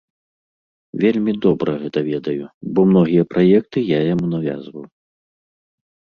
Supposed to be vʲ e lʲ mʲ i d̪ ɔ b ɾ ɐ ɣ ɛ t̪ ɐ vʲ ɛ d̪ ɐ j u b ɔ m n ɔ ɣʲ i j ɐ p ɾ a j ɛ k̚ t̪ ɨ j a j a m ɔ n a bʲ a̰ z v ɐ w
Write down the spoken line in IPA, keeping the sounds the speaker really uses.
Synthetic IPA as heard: vʲ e lʲ mʲ i d̪ ɔ b ɾ ɐ ɣ ɛ t̪ ɐ vʲ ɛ d̪ ɐ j u b ɔ m n ɔ ɣʲ i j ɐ p ɾ a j ɛ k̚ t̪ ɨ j a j a m u n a vʲ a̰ z v ɐ w